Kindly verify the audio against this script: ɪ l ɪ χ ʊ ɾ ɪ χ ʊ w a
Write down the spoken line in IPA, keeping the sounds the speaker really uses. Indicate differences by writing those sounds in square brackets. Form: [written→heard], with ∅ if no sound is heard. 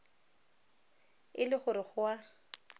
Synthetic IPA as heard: ɪ l ɪ χ ʊ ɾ ɪ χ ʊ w a